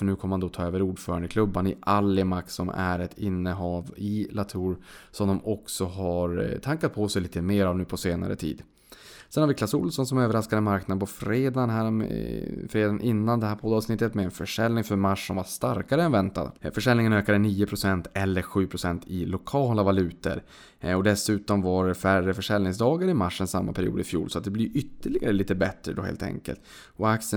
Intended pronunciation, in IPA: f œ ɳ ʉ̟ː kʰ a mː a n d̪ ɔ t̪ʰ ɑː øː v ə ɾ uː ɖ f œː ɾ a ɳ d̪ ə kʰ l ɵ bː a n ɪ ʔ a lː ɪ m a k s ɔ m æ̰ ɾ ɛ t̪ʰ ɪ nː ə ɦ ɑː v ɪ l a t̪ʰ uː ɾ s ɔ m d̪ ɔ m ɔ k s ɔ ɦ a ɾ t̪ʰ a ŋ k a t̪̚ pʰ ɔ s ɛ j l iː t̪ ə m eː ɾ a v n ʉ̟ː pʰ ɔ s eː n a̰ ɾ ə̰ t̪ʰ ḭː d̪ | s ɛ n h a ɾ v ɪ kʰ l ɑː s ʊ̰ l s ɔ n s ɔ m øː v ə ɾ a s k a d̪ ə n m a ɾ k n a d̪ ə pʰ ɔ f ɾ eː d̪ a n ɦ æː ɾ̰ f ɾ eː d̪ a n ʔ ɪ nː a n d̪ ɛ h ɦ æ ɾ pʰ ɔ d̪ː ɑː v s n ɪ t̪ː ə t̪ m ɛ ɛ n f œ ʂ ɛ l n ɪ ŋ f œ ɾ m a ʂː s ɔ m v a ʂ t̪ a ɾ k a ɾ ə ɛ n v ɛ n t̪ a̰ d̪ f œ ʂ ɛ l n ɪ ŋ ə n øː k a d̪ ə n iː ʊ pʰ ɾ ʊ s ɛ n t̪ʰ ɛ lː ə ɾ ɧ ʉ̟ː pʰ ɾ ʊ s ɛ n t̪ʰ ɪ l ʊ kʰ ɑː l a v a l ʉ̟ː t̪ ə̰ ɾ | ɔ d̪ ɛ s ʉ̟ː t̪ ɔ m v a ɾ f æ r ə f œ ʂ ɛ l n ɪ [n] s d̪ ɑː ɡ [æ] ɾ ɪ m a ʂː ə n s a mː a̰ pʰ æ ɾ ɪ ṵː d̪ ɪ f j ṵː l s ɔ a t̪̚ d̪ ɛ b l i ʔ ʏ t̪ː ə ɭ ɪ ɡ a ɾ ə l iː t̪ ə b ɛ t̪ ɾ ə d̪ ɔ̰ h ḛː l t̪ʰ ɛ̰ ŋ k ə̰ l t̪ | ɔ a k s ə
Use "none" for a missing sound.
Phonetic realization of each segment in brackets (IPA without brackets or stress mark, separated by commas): ŋ, a